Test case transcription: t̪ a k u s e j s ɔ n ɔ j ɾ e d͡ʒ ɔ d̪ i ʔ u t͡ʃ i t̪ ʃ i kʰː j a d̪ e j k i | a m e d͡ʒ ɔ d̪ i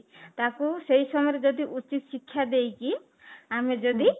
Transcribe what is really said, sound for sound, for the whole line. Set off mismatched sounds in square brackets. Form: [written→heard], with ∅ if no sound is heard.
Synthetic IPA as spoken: t̪ a k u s e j s ɔ [n→m] ɔ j ɾ e d͡ʒ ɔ d̪ i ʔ u t͡ʃ i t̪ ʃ i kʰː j a d̪ e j k i | a m e d͡ʒ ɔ d̪ i